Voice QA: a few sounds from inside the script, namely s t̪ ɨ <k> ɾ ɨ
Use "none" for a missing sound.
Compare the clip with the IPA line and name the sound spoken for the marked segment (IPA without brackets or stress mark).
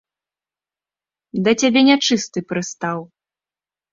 p